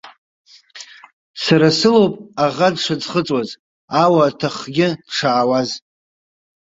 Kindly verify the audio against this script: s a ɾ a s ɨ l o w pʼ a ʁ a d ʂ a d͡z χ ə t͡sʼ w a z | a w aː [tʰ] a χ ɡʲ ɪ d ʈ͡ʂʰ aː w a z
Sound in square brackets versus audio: correct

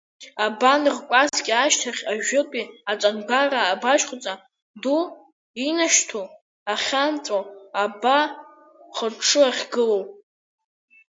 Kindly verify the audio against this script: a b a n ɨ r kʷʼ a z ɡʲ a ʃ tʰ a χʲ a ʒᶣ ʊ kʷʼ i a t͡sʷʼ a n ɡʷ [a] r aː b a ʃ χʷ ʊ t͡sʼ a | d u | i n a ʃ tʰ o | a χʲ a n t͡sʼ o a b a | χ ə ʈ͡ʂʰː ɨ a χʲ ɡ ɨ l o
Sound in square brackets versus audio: correct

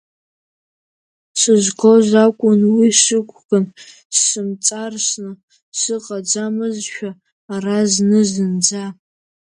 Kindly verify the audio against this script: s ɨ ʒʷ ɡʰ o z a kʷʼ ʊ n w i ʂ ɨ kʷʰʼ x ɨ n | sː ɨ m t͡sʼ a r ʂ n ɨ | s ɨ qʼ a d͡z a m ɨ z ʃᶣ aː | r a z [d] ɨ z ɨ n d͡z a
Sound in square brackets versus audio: incorrect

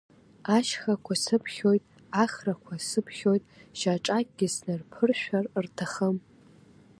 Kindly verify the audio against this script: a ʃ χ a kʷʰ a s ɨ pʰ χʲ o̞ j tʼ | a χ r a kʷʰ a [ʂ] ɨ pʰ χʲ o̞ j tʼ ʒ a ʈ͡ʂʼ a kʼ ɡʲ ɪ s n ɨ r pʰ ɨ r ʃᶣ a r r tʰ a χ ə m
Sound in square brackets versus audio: incorrect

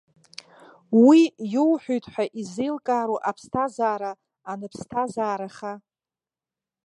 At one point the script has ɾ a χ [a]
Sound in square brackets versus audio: correct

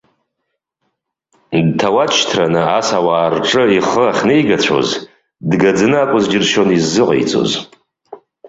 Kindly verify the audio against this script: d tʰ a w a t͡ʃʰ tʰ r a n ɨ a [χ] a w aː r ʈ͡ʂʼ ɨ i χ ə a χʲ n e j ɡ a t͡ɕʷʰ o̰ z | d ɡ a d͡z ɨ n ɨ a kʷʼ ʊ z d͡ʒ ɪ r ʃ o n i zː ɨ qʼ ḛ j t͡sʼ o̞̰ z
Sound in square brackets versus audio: incorrect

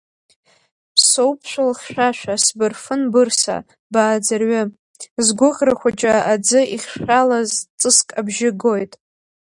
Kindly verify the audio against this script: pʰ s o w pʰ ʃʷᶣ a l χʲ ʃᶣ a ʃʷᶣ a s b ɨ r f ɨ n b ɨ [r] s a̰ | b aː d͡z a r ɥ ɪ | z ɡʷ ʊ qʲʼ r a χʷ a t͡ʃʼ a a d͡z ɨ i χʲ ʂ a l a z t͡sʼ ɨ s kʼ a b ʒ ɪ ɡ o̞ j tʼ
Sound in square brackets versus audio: correct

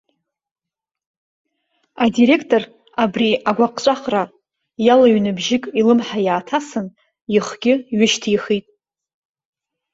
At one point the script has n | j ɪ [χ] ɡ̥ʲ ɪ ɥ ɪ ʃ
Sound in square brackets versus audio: correct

